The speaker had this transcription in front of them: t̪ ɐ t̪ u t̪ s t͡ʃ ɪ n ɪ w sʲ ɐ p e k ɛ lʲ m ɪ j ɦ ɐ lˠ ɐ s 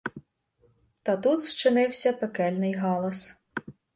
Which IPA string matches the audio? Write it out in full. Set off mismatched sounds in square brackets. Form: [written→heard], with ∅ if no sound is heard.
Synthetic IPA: t̪ ɐ t̪ u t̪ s t͡ʃ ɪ n ɪ w sʲ ɐ p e k ɛ lʲ [m→n] ɪ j ɦ [ɐ→ɑ] lˠ ɐ s